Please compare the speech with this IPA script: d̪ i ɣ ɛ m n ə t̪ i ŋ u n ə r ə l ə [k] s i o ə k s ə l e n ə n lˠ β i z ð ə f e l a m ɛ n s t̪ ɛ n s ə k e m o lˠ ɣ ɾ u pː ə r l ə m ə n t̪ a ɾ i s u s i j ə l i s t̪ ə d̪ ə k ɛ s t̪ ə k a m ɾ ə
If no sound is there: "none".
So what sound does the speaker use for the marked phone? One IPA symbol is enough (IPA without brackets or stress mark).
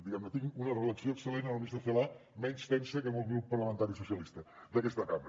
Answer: k